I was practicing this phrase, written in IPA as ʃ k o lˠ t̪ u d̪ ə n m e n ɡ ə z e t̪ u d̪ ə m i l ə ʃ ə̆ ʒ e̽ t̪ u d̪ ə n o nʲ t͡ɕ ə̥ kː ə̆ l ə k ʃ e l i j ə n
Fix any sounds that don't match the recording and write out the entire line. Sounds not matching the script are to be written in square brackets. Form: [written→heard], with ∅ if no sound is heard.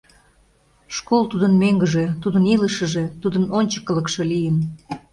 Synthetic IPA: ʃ k o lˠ t̪ u d̪ ə n m e [n→ŋ] ɡ ə [z→ʒ] e t̪ u d̪ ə [m→n] i l ə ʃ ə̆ ʒ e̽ t̪ u d̪ ə n o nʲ t͡ɕ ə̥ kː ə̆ l ə k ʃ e l i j ə n

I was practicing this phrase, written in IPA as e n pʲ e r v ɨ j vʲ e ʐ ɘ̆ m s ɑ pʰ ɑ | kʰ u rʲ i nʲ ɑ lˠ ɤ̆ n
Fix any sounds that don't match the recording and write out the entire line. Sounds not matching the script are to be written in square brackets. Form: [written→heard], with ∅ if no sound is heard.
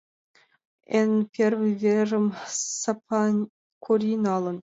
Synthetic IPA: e n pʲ e r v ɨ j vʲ e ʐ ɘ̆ m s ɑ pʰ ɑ | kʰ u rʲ i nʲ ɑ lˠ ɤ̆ n

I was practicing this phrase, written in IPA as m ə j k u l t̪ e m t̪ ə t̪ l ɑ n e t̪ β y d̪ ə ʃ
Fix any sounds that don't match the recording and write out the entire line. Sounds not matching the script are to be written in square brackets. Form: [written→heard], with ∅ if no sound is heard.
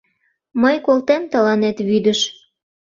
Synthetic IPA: m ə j k [u→o] l t̪ e m t̪ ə [t̪→∅] l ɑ n e t̪ β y d̪ ə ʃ

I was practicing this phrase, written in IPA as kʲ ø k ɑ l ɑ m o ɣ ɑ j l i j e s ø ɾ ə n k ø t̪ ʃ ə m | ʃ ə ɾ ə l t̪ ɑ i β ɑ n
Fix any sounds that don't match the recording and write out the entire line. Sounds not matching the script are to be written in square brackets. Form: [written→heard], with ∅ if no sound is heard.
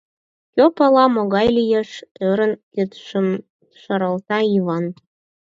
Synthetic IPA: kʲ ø [k→p] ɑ l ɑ m o ɣ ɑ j l i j e [s→ʃ] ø ɾ ə n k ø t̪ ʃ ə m | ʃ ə ɾ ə l t̪ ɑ i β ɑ n

